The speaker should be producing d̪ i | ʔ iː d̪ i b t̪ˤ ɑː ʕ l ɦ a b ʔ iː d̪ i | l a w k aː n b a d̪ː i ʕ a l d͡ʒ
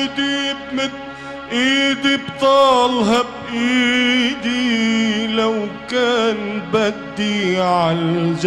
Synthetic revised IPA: d̪ i | ʔ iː d̪ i b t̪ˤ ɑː l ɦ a b ʔ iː d̪ i | l a w k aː n b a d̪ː i ʕ a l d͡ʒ